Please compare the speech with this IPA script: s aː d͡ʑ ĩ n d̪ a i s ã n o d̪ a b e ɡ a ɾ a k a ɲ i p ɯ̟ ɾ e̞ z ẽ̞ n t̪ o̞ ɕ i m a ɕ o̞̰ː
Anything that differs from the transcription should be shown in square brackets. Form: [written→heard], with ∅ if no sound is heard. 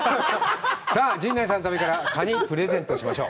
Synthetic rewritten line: s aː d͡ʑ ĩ n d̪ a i s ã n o [d̪→t̪] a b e [ɡ→k] a ɾ a k a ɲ i p ɯ̟ ɾ e̞ z ẽ̞ n t̪ o̞ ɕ i m a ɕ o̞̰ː